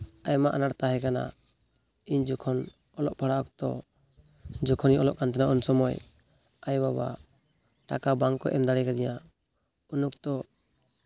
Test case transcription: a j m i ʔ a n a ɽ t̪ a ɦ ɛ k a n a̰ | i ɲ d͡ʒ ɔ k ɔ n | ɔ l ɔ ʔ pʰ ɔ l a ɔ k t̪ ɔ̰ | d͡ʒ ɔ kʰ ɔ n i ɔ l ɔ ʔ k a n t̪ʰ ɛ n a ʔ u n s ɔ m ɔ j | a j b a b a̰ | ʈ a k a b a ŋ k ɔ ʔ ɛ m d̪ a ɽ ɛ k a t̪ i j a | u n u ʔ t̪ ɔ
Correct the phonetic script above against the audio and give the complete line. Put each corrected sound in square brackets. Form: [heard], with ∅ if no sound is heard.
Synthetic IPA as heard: a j m [a] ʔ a n a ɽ t̪ a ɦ ɛ k a n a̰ | i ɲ d͡ʒ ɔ [kʰ] ɔ n | ɔ l ɔ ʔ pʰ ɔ [ɽ] a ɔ k t̪ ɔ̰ | d͡ʒ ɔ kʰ ɔ n i ɔ l ɔ ʔ k a n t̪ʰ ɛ n a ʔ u n s ɔ m ɔ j | a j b a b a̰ | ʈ a k a b a ŋ k ɔ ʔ ɛ m d̪ a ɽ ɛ k a [d̪] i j a | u n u [k] t̪ ɔ

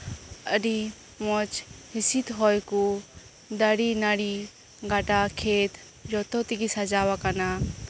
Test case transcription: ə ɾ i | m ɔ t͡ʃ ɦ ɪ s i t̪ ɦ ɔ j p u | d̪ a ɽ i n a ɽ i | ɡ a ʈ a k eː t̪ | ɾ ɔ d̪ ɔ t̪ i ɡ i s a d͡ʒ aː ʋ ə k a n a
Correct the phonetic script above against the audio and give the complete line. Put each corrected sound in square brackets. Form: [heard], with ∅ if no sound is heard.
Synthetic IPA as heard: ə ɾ i | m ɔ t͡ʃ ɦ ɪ s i t̪ ɦ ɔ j [k] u | d̪ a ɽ i n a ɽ i | ɡ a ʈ a [kʰ] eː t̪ | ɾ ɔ [t̪] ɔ t̪ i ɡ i s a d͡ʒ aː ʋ [a] k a n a

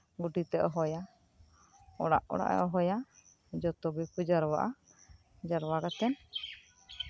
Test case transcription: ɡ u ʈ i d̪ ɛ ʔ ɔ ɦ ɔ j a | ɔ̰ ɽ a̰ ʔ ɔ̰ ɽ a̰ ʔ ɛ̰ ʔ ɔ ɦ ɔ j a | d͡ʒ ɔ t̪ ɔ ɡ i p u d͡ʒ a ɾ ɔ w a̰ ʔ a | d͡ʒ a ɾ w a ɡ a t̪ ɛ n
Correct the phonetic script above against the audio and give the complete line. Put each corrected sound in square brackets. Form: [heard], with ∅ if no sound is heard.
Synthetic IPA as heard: ɡ u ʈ i [t̪] ɛ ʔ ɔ ɦ ɔ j a | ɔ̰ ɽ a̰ ʔ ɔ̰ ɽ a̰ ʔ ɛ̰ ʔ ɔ ɦ ɔ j a | d͡ʒ ɔ t̪ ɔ [b] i p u d͡ʒ a ɾ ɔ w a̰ ʔ a | d͡ʒ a ɾ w a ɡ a t̪ ɛ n

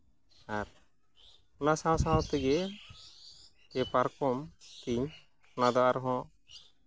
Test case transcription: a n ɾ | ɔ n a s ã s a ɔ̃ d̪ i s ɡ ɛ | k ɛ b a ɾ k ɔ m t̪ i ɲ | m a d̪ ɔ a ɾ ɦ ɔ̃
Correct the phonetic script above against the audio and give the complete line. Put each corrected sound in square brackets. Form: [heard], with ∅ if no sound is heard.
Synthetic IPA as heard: a [∅] ɾ | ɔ n a s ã s a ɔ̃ [t̪] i [∅] ɡ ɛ | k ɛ [p] a ɾ k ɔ m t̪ i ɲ | [n] a d̪ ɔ a ɾ ɦ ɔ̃

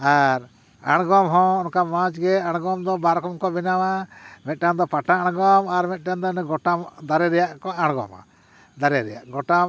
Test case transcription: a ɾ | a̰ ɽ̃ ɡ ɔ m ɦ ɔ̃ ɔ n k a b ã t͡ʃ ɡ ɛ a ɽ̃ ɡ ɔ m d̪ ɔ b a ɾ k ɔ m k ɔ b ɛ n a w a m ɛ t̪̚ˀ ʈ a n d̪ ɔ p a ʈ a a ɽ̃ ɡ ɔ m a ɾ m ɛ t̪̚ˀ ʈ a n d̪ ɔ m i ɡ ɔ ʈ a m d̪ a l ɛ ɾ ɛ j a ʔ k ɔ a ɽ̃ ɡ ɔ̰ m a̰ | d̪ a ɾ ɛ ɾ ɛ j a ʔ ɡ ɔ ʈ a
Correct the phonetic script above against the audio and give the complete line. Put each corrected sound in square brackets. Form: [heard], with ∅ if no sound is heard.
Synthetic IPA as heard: a ɾ | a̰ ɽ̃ ɡ ɔ m ɦ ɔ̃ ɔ n k a [m] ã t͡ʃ ɡ ɛ a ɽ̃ ɡ ɔ m d̪ ɔ b a ɾ k ɔ m k ɔ b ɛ n a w a m ɛ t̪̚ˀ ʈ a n d̪ ɔ p a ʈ a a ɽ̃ ɡ ɔ m a ɾ m ɛ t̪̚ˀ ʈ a n d̪ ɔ [n] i ɡ ɔ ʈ a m d̪ a [ɾ] ɛ ɾ ɛ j a ʔ k ɔ a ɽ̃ ɡ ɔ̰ m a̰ | d̪ a ɾ ɛ ɾ ɛ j a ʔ ɡ ɔ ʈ a

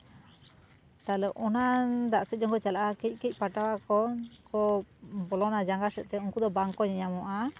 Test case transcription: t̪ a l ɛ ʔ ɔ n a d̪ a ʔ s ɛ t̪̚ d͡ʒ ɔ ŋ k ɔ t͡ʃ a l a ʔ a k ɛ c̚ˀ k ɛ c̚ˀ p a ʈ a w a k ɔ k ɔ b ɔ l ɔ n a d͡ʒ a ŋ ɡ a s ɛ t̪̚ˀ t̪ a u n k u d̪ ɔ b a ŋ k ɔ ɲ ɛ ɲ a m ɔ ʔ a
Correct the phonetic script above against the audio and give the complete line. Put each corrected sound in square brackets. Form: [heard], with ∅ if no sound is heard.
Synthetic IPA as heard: t̪ a l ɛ ʔ ɔ n a d̪ a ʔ s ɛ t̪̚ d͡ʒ ɔ ŋ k ɔ t͡ʃ a l a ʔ a k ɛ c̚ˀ k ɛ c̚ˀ p a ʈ a w a k ɔ k ɔ b ɔ l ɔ n a d͡ʒ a ŋ ɡ a s ɛ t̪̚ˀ t̪ [ɛ] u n k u d̪ ɔ b a ŋ k ɔ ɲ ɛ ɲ a m ɔ ʔ a

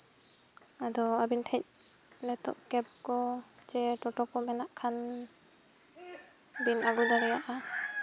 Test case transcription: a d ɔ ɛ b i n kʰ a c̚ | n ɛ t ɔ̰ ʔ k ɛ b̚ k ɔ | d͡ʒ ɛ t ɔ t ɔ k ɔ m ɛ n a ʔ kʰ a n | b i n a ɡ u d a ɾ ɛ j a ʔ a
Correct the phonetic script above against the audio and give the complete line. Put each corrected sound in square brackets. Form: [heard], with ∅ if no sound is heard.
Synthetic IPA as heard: a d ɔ [a] b i n [tʰ] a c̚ | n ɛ t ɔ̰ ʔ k ɛ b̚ k ɔ | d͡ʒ ɛ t ɔ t ɔ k ɔ m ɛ n a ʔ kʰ a n | b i n a ɡ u d a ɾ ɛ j a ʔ a

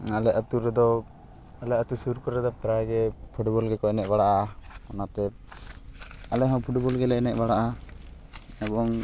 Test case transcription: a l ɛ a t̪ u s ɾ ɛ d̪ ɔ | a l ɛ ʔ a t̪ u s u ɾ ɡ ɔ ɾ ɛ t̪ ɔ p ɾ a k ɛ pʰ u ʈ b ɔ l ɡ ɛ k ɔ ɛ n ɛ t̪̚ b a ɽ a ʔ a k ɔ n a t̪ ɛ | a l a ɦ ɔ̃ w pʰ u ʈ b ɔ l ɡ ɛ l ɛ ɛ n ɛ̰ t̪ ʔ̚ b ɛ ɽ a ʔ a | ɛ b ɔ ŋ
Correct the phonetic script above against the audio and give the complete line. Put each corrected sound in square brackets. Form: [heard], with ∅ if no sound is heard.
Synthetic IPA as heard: a l ɛ a t̪ u [∅] ɾ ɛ d̪ ɔ | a l ɛ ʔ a t̪ u s u ɾ [k] ɔ ɾ ɛ [d̪] ɔ p ɾ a [ɡ] ɛ pʰ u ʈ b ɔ l ɡ ɛ k ɔ ɛ n ɛ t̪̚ b a ɽ a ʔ a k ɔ n a t̪ ɛ | a l [ɛ] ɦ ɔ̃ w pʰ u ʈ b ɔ l ɡ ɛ l ɛ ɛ n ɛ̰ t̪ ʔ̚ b [a] ɽ a ʔ a | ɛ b ɔ ŋ

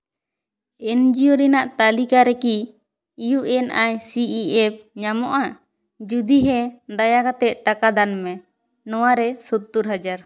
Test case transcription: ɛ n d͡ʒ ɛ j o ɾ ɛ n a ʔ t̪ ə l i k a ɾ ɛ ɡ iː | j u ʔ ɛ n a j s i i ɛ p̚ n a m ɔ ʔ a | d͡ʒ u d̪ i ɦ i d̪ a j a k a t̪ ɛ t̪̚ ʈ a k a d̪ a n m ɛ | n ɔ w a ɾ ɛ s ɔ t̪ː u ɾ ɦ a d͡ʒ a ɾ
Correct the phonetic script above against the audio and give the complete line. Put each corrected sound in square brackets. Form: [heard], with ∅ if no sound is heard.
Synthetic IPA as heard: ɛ n d͡ʒ [i] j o ɾ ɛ n a ʔ t̪ [a] l i k a ɾ ɛ [k] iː | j u ʔ ɛ n a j s i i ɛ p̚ [ɲ] a m ɔ ʔ a | d͡ʒ u d̪ i ɦ [ɛ] d̪ a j a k a t̪ ɛ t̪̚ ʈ a k a d̪ a n m ɛ | n ɔ w a ɾ ɛ s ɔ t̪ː u ɾ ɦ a d͡ʒ a ɾ

